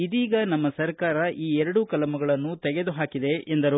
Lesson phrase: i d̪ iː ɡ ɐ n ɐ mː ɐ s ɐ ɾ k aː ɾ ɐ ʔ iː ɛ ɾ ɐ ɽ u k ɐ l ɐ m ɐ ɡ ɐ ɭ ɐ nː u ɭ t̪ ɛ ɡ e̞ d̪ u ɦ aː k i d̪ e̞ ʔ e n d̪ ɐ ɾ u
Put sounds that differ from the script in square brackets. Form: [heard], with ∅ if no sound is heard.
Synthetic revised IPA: i d̪ iː ɡ ɐ n ɐ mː ɐ s ɐ ɾ k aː ɾ ɐ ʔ iː ɛ ɾ ɐ ɽ u k ɐ l ɐ m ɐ ɡ ɐ ɭ ɐ nː u [∅] t̪ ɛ ɡ e̞ d̪ u ɦ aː k i d̪ e̞ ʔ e n d̪ ɐ ɾ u